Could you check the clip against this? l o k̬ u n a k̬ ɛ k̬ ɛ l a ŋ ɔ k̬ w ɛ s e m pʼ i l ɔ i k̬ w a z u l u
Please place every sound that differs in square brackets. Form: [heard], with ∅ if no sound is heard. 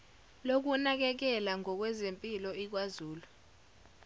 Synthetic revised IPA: l o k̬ u n a k̬ ɛ k̬ ɛ l a ŋ ɔ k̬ w ɛ [z] e m pʼ i l ɔ i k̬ w a z [uː] l u